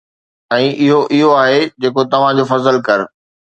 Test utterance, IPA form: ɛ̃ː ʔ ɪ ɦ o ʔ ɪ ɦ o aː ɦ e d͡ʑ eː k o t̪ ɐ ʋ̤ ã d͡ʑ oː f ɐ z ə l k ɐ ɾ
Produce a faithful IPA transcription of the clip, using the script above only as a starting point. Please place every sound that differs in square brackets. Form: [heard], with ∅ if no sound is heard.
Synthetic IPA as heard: ɛ̃ː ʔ ɪ ɦ o ʔ ɪ ɦ o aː ɦ e d͡ʑ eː k o t̪ ɐ ʋ̤ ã d͡ʑ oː f ɐ z ə l k ɐ ɾ